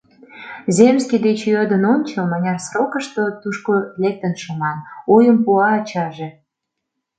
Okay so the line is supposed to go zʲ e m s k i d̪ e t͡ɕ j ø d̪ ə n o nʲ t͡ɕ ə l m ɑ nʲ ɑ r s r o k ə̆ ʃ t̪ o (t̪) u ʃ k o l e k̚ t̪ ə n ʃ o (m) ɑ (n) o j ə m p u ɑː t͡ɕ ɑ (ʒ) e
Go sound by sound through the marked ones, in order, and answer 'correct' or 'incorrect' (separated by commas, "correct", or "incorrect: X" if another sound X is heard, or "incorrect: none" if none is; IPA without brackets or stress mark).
correct, correct, correct, correct